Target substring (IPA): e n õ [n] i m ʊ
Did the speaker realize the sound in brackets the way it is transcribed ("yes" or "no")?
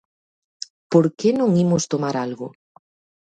no